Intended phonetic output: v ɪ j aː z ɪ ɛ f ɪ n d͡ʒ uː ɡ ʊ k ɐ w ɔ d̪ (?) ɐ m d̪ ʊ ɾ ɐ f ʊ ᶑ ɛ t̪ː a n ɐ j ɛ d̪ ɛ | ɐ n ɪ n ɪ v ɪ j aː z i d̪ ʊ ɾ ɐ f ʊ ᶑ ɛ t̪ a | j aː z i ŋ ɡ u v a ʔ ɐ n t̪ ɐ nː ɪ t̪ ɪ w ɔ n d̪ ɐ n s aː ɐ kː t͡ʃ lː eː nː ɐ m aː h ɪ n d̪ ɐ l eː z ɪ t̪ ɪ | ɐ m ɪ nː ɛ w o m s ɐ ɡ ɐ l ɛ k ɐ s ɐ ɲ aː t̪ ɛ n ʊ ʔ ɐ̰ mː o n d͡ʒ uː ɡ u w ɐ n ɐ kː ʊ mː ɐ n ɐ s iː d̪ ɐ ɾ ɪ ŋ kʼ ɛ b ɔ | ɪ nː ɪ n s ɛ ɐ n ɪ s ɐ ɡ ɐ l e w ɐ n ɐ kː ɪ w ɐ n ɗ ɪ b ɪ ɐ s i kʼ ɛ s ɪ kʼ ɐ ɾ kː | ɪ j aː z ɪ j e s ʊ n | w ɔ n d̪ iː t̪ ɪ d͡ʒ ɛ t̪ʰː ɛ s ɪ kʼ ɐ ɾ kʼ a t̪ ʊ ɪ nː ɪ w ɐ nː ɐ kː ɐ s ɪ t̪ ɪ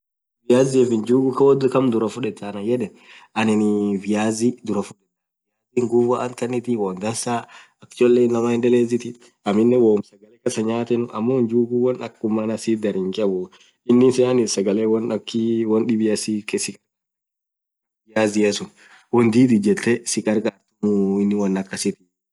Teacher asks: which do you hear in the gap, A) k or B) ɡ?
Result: A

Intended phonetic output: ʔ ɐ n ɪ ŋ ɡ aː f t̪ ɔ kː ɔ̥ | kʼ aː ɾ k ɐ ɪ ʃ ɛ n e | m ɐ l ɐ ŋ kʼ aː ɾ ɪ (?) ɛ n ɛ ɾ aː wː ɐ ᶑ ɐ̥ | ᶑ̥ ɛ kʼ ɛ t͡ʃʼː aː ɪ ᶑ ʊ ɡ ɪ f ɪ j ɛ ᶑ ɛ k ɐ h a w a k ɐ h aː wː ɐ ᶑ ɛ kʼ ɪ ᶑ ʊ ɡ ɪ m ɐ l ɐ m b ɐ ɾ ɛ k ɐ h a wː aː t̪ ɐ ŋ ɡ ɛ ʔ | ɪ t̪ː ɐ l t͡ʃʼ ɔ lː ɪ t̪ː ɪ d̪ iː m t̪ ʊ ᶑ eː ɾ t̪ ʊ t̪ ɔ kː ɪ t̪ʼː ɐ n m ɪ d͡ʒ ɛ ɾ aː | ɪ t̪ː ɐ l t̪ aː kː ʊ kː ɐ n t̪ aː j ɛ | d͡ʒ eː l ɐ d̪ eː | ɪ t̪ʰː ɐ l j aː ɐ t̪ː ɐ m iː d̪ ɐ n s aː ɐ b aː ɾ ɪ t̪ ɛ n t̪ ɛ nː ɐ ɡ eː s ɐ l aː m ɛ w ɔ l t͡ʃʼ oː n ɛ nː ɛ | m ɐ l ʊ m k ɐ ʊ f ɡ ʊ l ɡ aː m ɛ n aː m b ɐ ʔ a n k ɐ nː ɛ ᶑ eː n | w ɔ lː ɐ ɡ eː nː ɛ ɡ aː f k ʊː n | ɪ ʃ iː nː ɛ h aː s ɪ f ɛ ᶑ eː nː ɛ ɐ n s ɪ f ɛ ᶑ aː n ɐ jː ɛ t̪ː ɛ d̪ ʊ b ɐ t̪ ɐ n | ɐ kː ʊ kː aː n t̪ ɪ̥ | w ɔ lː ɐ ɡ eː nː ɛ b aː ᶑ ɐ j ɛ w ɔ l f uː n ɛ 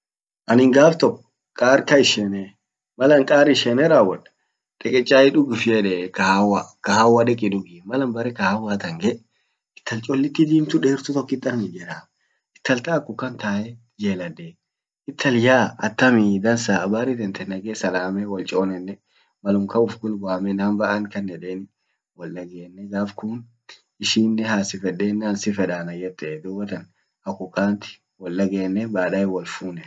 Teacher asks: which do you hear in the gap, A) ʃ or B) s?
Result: A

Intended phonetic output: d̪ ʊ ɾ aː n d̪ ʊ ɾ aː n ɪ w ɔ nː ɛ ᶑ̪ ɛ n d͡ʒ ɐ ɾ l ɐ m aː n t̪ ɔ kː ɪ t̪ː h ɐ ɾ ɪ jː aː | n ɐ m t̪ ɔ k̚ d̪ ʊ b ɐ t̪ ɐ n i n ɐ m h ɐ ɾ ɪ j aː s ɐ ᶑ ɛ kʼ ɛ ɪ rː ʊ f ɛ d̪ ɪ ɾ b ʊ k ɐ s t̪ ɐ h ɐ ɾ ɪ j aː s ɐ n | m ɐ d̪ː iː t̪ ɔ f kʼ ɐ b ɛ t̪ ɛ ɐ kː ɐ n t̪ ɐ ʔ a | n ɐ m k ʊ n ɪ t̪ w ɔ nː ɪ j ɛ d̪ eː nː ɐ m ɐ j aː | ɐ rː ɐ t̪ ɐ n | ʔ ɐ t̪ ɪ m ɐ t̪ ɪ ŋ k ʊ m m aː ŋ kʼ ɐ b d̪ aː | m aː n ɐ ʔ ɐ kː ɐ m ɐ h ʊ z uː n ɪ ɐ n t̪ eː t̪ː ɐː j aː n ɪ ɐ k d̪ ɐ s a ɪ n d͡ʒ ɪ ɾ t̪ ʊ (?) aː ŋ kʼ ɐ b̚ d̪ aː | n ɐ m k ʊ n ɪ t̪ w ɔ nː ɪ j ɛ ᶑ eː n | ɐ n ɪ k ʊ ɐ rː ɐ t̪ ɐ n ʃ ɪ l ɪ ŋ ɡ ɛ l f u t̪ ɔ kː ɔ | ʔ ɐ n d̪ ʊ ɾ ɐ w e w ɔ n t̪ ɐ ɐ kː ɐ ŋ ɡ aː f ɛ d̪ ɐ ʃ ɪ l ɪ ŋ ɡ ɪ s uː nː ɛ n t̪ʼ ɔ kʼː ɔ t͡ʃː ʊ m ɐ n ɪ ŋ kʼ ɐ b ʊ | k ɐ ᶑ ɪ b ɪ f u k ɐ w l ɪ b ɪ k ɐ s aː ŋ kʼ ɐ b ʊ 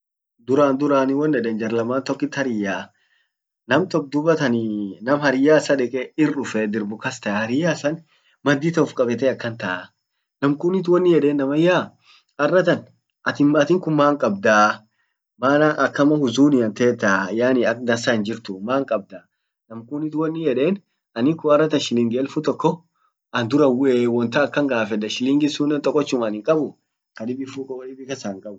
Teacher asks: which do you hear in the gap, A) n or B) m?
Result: B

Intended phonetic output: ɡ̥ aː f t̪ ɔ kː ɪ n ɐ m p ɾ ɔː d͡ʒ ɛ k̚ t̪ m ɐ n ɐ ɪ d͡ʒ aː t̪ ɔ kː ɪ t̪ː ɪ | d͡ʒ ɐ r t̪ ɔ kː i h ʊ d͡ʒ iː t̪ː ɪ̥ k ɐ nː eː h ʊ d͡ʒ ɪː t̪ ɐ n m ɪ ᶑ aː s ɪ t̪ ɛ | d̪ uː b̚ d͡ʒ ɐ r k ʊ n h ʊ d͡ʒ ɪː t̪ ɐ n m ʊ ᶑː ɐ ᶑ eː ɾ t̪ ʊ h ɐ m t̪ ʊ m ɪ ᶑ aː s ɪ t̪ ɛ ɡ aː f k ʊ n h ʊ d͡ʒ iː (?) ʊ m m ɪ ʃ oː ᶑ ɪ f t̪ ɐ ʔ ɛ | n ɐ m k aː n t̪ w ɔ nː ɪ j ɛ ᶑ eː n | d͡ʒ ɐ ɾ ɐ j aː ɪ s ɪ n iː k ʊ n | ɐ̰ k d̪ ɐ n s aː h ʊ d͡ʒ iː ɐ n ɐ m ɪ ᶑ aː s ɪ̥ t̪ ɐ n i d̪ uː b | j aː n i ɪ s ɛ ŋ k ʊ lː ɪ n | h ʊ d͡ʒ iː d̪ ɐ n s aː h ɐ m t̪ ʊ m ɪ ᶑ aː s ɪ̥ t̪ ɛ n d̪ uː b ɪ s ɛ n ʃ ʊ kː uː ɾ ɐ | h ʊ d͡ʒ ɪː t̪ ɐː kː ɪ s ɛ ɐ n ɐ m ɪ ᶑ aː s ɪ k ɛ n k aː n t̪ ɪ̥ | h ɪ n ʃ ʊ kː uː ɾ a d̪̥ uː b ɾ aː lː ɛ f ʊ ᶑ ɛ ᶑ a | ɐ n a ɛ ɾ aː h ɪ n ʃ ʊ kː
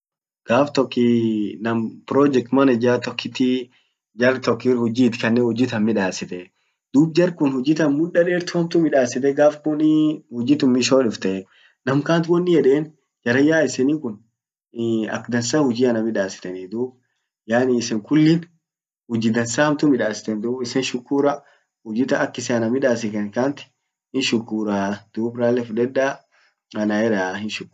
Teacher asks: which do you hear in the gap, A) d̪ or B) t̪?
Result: B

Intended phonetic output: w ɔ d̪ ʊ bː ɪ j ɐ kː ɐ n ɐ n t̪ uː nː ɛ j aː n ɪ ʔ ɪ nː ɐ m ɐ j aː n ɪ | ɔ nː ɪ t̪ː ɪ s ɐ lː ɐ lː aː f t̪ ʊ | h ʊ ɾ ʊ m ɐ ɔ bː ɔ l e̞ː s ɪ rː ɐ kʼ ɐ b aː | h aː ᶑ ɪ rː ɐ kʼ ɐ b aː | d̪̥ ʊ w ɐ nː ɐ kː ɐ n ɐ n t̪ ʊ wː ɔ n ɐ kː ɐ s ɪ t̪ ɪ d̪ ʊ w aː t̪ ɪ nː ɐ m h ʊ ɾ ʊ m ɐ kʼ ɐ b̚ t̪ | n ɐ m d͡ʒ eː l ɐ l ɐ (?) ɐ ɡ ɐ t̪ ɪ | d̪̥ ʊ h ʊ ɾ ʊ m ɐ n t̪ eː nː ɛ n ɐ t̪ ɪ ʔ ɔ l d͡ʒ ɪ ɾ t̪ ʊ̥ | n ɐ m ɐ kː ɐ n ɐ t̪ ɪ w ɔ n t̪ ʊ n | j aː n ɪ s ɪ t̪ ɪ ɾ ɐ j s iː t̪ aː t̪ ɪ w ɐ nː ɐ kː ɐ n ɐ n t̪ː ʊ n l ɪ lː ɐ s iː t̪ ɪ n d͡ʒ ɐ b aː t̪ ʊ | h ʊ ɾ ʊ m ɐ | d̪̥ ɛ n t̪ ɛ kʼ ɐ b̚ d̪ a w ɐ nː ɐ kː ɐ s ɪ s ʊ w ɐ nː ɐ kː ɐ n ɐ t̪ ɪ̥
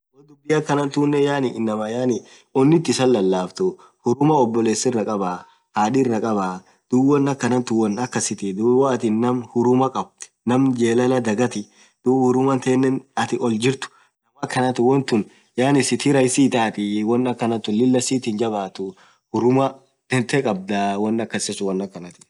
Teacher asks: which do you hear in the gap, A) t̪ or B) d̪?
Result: B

